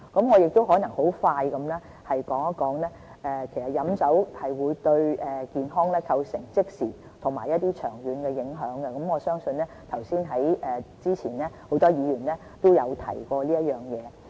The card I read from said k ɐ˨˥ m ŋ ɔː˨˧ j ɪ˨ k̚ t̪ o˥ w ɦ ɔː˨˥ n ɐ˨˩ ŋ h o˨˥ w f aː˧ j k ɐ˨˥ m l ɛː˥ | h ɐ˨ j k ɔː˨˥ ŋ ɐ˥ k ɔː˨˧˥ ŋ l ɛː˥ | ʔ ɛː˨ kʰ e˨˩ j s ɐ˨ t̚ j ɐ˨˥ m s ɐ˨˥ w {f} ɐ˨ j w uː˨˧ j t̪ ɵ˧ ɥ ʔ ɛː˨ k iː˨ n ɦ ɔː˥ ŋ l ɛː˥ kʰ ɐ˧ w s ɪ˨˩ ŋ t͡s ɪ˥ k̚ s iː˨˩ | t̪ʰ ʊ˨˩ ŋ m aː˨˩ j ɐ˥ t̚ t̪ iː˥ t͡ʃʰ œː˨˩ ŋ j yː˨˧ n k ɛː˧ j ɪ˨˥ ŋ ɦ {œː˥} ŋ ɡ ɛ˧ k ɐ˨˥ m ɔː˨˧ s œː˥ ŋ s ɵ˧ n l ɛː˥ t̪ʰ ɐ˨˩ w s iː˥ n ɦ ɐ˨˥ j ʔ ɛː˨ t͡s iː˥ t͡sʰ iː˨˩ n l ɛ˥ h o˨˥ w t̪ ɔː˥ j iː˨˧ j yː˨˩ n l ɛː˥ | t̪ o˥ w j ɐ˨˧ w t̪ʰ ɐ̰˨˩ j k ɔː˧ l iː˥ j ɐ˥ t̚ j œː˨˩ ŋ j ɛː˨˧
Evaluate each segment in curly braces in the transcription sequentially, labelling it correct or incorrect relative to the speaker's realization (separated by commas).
incorrect, incorrect